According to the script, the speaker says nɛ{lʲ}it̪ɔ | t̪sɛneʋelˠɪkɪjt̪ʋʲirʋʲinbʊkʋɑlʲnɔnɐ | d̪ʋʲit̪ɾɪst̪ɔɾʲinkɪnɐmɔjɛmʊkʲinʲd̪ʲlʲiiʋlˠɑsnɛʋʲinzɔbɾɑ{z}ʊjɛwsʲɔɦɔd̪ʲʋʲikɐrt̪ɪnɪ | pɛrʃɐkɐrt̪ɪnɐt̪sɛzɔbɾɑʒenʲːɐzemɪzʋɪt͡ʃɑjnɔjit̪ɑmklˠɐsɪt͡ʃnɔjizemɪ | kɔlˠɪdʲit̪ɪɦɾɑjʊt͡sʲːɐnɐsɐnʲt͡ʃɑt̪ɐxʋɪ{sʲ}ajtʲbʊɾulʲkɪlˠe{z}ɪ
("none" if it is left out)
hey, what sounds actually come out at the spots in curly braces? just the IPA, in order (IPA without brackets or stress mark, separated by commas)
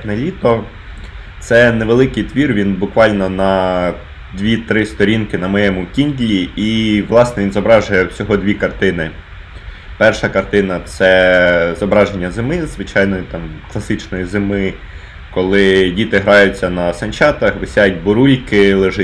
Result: lʲ, ʒ, sʲ, ʒ